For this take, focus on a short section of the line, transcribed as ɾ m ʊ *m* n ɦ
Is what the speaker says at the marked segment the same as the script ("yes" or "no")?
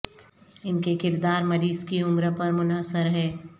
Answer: no